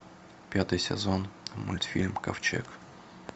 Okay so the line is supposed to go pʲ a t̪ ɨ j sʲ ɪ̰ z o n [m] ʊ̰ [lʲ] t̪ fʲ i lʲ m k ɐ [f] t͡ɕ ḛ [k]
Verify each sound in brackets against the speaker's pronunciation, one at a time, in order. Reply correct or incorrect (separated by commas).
correct, correct, correct, correct